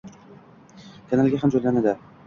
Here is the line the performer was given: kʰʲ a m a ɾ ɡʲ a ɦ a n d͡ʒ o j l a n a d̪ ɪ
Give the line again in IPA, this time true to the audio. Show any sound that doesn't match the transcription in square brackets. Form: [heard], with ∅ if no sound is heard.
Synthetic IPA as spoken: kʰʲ a [n] a [l] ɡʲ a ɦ a [m] d͡ʒ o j l a n a d̪ ɪ